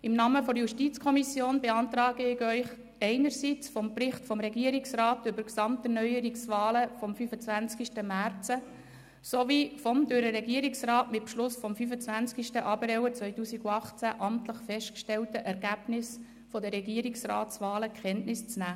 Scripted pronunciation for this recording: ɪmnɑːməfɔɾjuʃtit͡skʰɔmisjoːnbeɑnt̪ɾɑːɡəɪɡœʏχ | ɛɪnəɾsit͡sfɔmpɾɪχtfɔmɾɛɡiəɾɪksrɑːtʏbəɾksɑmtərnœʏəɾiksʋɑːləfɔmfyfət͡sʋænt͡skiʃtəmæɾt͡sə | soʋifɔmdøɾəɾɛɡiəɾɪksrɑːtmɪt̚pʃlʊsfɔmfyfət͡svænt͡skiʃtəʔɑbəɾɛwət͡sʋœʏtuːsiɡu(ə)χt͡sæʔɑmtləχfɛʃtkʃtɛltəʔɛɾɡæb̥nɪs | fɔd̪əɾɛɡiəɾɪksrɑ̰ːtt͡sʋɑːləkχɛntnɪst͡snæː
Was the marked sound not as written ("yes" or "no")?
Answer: yes